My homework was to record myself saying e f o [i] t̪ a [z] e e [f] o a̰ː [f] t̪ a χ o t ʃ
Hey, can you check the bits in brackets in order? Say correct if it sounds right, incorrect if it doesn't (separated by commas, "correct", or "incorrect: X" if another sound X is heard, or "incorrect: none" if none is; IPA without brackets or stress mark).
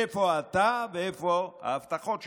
incorrect: a, incorrect: v, correct, correct